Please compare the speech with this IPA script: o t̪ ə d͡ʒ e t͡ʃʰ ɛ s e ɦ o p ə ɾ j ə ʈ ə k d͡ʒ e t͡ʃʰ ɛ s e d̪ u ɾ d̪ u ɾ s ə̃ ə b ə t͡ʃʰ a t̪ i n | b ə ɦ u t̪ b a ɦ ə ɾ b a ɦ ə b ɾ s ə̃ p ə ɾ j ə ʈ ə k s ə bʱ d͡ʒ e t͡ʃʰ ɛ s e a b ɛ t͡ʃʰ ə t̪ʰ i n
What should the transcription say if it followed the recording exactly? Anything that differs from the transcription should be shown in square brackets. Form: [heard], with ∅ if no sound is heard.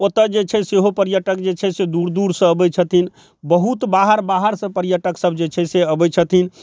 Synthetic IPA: o t̪ ə d͡ʒ e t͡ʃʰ ɛ s e ɦ o p ə ɾ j ə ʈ ə k d͡ʒ e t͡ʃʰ ɛ s e d̪ u ɾ d̪ u ɾ s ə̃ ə b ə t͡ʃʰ [ə] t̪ i n | b ə ɦ u t̪ b a ɦ ə ɾ b a ɦ ə [∅] ɾ s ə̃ p ə ɾ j ə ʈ ə k s ə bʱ d͡ʒ e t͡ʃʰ ɛ s e [ə] b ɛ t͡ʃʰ ə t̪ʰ i n